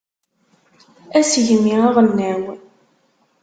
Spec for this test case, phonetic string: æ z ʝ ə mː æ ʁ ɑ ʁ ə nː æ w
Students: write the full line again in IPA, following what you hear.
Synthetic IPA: æ s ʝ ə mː i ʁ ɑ ʁ ə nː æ w